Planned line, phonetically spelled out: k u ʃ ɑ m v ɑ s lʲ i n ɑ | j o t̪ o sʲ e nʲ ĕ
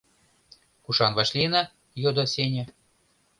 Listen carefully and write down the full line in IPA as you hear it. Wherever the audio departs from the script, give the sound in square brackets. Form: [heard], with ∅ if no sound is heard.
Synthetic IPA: k u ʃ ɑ [n] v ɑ [ʃ] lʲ i n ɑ | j o [d̪] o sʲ e nʲ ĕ